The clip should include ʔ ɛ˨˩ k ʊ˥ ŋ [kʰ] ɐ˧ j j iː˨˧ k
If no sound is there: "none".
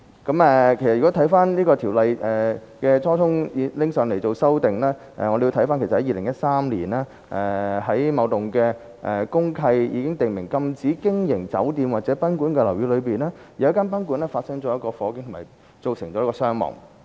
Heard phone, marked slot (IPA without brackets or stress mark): kʰ